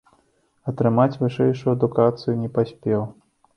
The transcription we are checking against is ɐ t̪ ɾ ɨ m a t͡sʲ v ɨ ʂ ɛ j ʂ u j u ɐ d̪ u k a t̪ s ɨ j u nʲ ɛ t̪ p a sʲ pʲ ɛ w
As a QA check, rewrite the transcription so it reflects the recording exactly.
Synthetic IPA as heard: ɐ t̪ ɾ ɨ m a t͡sʲ v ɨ ʂ ɛ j ʂ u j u ɐ d̪ u k a t̪ s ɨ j u nʲ ɛ p a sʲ pʲ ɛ w